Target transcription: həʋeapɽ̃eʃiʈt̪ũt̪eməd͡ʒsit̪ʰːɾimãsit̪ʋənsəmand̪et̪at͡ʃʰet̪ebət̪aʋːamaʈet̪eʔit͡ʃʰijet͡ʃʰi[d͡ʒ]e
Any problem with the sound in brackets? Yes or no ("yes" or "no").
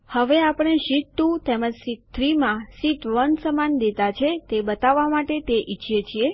yes